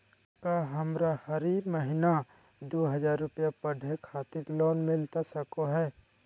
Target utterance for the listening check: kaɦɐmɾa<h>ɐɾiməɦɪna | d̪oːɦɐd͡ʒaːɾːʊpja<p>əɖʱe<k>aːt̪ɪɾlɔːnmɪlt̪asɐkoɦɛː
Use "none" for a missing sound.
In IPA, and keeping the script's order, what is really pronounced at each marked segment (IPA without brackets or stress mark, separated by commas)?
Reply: h, p, kʰ